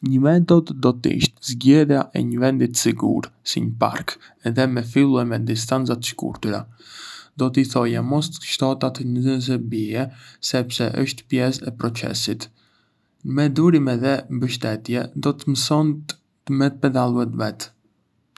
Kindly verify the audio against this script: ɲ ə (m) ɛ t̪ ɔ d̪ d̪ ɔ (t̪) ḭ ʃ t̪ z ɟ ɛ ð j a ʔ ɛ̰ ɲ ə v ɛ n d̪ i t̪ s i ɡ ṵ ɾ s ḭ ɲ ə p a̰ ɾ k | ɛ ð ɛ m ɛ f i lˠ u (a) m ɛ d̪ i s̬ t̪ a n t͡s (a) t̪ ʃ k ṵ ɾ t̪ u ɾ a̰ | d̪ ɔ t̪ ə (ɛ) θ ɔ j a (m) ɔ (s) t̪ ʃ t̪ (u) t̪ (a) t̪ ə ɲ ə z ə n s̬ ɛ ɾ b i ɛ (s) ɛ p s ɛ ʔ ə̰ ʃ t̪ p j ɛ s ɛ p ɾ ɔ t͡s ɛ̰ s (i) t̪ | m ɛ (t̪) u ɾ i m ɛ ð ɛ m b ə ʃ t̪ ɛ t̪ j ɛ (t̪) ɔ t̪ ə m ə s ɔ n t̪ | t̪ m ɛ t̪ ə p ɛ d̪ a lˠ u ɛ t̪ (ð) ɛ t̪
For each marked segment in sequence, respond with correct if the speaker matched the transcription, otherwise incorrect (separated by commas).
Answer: correct, correct, incorrect, correct, incorrect, correct, correct, incorrect, correct, correct, correct, incorrect, incorrect, incorrect